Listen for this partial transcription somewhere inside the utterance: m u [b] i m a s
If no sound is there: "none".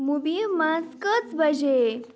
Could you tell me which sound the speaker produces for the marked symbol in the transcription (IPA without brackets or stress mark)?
b